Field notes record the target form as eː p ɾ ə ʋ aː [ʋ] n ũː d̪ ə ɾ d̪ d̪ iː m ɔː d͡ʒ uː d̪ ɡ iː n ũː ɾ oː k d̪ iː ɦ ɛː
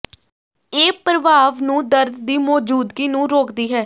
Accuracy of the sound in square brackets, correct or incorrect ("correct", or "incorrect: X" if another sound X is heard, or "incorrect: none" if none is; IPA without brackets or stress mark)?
correct